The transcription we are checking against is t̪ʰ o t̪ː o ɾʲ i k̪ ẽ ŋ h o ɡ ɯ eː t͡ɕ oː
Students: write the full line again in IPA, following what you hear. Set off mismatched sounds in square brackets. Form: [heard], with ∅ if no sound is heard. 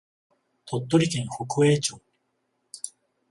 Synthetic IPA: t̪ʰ o t̪ː o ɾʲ i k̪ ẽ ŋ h o [k] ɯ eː t͡ɕ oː